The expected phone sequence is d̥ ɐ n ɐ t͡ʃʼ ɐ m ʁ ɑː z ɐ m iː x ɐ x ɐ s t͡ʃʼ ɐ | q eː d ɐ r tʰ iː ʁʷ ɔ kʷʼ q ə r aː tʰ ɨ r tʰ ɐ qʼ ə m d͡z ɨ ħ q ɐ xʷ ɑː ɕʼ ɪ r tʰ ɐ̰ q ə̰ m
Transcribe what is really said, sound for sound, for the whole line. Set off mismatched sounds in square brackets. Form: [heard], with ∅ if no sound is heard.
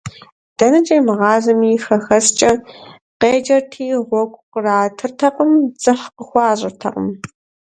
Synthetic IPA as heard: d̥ ɐ n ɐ t͡ʃʼ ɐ m ʁ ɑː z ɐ m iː x ɐ x ɐ s t͡ʃʼ ɐ | q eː [d͡ʒ] ɐ r tʰ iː ʁʷ ɔ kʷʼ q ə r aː tʰ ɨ r tʰ ɐ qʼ ə m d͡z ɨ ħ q [ə] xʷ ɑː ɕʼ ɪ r tʰ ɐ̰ q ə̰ m